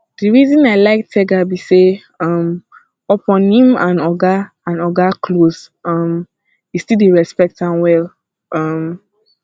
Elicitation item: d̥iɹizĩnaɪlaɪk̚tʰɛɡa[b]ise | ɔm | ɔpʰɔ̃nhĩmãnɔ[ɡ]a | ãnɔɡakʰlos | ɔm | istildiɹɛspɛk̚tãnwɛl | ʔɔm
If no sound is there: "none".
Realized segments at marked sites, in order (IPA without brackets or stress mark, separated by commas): b, ɡ